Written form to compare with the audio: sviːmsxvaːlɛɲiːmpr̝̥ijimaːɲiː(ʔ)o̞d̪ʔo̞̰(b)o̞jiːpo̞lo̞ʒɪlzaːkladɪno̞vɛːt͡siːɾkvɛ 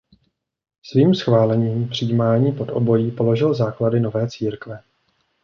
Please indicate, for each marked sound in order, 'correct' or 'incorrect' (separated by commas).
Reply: incorrect, correct